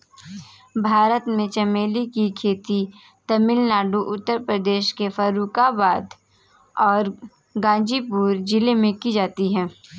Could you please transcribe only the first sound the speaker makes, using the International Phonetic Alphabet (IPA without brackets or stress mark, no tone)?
bʱ